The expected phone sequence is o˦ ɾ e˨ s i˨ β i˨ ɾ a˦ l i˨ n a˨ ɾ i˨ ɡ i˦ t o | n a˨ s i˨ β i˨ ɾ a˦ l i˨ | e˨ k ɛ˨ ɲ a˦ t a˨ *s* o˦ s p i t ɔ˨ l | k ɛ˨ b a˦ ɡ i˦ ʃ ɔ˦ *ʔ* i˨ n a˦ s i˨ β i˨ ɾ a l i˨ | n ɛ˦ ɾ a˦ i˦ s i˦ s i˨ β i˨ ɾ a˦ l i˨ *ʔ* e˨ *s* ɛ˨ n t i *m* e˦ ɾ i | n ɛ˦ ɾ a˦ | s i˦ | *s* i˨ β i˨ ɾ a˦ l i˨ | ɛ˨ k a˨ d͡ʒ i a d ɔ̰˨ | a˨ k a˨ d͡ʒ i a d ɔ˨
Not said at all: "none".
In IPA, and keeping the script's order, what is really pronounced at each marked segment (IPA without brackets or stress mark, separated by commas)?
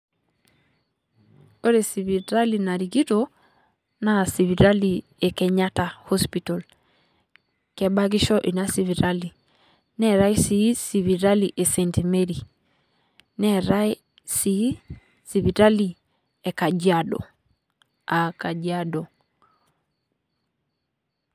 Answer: h, ʔ, ʔ, s, m, s